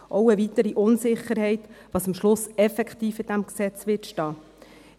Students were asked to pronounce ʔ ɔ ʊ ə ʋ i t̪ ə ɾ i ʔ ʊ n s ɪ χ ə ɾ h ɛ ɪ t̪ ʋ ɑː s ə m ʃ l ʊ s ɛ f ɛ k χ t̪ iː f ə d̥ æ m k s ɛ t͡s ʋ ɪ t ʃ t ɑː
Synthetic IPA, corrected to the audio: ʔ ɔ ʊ ə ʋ i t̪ ə ɾ i ʔ ʊ n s ɪ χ ə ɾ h ɛ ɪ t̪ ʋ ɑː s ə m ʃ l ʊ s ɛ f ɛ k χ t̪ iː f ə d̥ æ m k s ɛ t͡s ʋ ɪ t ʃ t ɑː